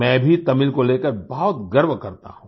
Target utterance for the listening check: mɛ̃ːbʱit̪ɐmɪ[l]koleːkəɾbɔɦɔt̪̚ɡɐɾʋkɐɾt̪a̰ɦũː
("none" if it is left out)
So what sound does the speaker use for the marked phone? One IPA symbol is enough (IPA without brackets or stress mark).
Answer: l